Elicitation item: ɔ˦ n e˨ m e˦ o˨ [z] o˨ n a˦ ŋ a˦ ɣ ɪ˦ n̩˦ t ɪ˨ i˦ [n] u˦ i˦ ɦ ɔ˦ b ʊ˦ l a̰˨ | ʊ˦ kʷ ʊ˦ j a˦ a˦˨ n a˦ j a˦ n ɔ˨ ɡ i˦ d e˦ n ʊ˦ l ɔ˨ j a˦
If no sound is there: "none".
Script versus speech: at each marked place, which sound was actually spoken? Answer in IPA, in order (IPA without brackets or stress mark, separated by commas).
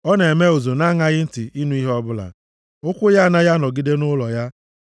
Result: z, n